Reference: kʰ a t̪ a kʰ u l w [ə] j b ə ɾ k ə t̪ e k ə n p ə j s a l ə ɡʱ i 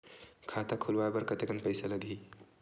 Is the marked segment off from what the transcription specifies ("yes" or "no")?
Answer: yes